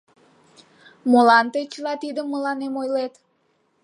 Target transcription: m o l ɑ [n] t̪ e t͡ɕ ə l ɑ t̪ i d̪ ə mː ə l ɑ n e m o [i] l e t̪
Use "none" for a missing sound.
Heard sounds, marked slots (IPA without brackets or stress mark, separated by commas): n, j